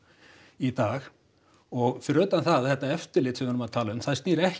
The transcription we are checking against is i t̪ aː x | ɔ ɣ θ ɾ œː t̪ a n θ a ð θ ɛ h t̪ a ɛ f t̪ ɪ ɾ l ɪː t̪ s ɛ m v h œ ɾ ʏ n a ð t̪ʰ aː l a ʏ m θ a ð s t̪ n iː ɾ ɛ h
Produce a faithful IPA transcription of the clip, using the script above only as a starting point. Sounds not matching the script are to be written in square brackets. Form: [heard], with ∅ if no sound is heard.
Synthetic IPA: i t̪ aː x | ɔ ɣ [f] ɾ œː t̪ a n θ a ð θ ɛ h t̪ a ɛ f t̪ ɪ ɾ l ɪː t̪ s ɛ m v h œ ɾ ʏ [m] a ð t̪ʰ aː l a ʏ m θ a ð s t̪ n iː ɾ ɛ h